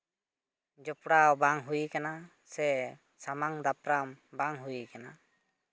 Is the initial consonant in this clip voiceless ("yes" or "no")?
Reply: no